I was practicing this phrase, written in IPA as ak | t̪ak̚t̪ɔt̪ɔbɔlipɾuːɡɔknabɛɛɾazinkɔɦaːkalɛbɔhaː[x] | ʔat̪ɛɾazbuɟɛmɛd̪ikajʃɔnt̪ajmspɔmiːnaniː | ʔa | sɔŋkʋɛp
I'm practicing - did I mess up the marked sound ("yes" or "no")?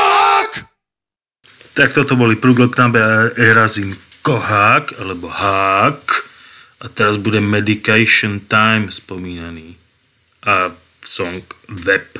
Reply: yes